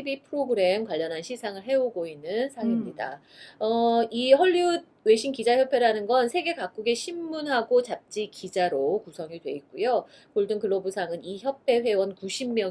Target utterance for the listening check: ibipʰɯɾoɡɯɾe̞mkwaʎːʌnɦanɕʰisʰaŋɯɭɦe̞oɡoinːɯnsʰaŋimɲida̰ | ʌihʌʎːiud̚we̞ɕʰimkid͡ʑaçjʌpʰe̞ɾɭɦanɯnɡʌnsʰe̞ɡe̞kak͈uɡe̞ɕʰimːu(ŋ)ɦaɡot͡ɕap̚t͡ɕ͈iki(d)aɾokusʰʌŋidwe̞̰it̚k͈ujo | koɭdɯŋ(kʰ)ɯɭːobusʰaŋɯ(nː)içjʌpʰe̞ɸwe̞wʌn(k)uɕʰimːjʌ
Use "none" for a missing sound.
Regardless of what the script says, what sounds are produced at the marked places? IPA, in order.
n, d͡ʑ, k, n, k

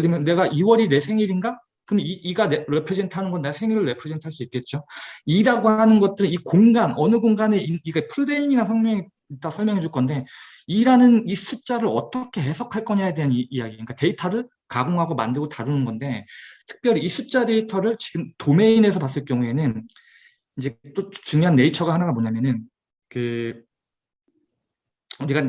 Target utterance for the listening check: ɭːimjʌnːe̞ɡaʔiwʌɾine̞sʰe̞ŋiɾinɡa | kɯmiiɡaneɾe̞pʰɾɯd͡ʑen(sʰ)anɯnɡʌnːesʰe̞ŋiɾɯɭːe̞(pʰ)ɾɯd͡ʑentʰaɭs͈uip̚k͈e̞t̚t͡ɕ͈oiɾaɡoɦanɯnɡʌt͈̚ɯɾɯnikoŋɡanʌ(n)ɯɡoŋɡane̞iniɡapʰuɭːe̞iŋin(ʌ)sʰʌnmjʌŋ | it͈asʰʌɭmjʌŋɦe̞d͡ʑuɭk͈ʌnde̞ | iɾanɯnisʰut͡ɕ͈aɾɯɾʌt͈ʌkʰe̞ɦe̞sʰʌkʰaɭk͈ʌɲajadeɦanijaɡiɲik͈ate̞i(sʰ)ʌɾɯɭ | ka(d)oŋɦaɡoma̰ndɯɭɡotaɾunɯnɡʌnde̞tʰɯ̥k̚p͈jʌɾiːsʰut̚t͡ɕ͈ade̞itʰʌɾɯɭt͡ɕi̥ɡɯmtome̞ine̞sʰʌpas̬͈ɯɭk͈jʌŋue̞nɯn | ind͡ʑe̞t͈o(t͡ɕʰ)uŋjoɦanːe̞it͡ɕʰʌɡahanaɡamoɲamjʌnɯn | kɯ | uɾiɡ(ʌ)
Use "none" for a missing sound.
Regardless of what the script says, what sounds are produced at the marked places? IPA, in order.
tʰ, pʰ, n, a, tʰ, ɡ, t͡ɕ, a

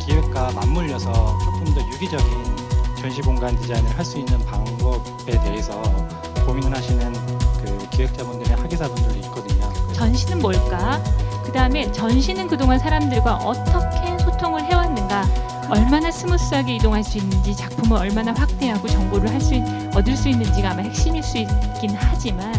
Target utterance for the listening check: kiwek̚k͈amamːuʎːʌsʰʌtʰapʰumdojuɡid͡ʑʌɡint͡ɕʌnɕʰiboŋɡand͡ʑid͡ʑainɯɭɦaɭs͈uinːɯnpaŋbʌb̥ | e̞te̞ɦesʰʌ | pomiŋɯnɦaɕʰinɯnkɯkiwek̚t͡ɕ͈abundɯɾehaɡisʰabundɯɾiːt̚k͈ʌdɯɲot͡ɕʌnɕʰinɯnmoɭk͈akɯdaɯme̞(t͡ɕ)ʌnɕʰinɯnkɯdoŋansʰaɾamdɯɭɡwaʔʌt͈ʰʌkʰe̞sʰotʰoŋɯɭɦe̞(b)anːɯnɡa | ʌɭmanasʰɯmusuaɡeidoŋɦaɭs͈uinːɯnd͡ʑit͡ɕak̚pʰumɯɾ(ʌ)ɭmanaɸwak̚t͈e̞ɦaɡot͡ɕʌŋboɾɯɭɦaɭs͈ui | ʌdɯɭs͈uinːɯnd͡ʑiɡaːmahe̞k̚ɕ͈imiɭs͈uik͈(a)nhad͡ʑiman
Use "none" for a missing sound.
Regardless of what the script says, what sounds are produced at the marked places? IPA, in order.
t͡ɕ, w, ʌ, i

